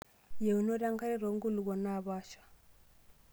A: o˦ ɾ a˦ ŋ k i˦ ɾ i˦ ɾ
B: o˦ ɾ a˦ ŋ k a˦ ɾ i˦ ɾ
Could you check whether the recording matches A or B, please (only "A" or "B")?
B